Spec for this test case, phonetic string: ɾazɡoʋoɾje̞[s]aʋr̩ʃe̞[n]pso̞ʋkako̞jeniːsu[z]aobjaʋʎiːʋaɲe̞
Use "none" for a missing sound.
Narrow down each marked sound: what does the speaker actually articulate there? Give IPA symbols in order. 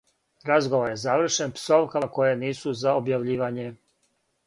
z, n, z

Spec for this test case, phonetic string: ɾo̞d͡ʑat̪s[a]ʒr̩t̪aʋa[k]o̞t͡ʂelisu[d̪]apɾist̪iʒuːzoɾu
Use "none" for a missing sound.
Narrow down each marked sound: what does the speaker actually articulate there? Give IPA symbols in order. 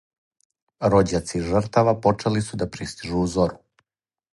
i, p, d̪

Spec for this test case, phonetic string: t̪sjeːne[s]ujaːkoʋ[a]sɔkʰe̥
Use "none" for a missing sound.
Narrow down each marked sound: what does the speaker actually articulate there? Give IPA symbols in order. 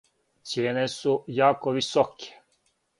s, i

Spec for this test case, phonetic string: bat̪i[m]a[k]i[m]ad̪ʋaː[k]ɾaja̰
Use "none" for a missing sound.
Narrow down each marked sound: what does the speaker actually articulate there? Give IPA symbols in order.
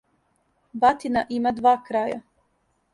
n, ʔ, m, k

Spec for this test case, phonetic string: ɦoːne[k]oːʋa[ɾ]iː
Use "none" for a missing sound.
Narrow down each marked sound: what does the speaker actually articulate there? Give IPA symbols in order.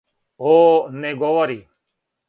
ɡ, ɾ

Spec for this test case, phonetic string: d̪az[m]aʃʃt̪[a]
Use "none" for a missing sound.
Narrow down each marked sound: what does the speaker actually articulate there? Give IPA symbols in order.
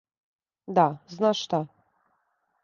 n, a

